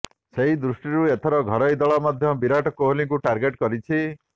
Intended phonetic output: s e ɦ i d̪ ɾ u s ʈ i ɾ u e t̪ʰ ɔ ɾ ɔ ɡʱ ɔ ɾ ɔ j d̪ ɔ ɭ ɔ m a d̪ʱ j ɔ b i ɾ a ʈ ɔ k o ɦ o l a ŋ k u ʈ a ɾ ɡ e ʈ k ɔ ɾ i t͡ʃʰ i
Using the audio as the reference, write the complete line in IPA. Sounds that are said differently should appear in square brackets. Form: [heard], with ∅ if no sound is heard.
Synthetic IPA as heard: s e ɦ i d̪ ɾ u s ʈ i ɾ u e t̪ʰ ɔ ɾ ɔ ɡʱ ɔ ɾ ɔ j d̪ ɔ ɭ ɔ m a d̪ʱ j ɔ b i ɾ a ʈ ɔ k o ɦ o l [i] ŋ k u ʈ a ɾ ɡ e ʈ k ɔ ɾ i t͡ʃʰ i